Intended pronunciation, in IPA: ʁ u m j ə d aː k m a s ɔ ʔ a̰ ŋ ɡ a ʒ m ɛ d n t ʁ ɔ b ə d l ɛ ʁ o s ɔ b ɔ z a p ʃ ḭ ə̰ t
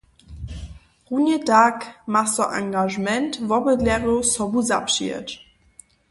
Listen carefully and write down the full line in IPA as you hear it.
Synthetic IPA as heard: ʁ u n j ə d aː k m a s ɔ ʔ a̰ ŋ ɡ a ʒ m ɛ n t v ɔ b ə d l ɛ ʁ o s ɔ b u z a p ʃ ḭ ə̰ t

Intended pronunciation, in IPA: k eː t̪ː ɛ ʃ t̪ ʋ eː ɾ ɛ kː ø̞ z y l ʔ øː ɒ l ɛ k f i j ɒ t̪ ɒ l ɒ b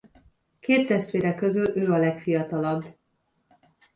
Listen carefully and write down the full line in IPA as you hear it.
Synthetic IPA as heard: k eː t̪ː ɛ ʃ t̪ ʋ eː ɾ ɛ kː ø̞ z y l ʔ øː ɒ l ɛ k f i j ɒ t̪ ɒ l ɒ b

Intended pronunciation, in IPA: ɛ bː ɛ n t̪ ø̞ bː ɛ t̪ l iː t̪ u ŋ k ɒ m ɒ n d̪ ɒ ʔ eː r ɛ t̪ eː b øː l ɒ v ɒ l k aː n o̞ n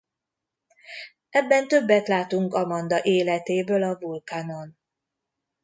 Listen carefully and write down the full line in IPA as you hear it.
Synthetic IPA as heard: ɛ bː ɛ n t̪ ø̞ bː ɛ t̪ l aː t̪ u ŋ k ɒ m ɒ n d̪ ɒ ʔ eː l ɛ t̪ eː b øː l ɒ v u l k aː n o̞ n

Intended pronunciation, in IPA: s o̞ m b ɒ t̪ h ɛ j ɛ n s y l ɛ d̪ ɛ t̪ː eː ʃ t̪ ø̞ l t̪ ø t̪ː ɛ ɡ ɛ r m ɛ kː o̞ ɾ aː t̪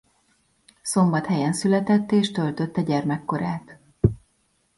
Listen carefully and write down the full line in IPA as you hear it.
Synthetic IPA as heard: s o̞ m b ɒ t̪ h ɛ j ɛ n s y l ɛ t̪ ɛ t̪ː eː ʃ t̪ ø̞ l t̪ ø t̪ː ɛ ɟ ɛ r m ɛ kː o̞ ɾ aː t̪

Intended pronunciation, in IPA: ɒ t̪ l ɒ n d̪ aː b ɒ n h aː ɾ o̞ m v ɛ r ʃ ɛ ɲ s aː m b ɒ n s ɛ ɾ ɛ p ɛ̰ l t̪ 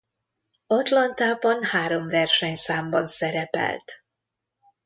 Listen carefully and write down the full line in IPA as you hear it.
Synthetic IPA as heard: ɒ t̪ l ɒ n t̪ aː b ɒ n h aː ɾ o̞ m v ɛ r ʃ ɛ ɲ s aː m b ɒ n s ɛ ɾ ɛ p ɛ̰ l t̪

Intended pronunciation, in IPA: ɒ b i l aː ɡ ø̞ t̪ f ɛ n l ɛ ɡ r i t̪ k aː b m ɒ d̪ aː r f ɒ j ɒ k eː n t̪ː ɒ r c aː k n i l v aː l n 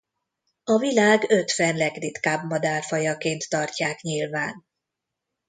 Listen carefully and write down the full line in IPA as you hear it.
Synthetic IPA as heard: ɒ v i l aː ɡ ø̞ t̪ f ɛ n l ɛ ɡ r i t̪ k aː b m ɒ d̪ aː r f ɒ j ɒ k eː n t̪ː ɒ r c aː k ɲ i l v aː n

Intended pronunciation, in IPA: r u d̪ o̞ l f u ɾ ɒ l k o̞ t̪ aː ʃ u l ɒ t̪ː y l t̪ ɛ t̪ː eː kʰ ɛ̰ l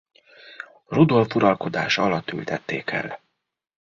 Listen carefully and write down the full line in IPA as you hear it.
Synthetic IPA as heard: r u d̪ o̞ l f u ɾ ɒ l k o̞ d̪ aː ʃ ɒ l ɒ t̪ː y l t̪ ɛ t̪ː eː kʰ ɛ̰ l

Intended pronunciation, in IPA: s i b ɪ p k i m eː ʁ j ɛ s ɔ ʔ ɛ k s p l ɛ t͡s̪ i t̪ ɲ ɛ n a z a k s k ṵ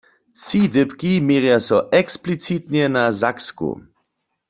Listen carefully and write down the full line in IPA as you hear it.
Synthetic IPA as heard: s i d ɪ p k i m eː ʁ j a s ɔ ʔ ɛ k s p l i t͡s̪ i t̪ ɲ ɛ n a z a k s k ṵ

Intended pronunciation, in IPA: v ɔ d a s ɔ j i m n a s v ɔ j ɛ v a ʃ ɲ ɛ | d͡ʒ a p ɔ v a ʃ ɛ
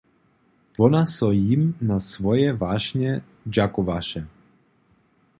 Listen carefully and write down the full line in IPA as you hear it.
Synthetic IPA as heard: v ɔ n a s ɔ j i m n a s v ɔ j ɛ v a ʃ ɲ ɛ | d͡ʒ a k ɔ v a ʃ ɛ

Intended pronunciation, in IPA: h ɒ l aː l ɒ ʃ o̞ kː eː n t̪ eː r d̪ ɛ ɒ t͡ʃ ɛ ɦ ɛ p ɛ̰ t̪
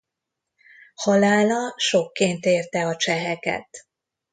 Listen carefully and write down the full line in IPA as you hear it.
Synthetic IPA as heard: h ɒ l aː l ɒ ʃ o̞ kː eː n t̪ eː r t̪ ɛ ɒ t͡ʃ ɛ ɦ ɛ k ɛ̰ t̪

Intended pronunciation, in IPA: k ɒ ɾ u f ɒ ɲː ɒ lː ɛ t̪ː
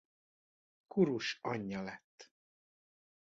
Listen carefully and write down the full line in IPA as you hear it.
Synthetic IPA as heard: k u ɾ u ʃ ɒ ɲː ɒ l ɛ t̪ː

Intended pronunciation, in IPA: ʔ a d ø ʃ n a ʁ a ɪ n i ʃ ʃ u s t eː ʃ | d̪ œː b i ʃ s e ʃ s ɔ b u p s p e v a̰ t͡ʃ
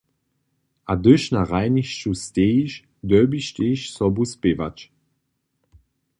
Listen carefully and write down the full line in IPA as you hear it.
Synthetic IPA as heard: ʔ a d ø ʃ n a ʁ a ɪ n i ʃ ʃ u s t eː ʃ | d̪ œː b i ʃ t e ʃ s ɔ b u s p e v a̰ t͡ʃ

